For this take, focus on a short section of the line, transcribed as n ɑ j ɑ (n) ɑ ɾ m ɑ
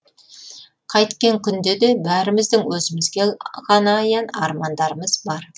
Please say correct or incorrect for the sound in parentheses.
correct